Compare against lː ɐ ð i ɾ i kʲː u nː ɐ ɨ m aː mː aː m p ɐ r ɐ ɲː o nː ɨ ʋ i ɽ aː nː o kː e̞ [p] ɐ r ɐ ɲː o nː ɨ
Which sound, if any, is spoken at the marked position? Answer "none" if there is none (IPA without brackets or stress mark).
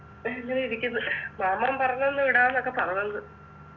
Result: p